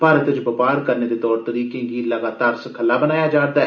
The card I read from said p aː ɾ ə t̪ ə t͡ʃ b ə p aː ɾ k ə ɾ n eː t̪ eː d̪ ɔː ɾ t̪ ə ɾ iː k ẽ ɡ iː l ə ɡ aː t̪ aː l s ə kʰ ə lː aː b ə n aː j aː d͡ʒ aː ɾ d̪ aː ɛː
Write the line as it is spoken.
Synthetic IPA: p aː ɾ ə t̪ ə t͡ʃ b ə p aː ɾ k ə ɾ n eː d̪ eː t̪ ɔː ɾ t̪ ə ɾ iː k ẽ ɡ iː l ə ɡ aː t̪ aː ɾ s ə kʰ ə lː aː b ə n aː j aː d͡ʒ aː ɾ d̪ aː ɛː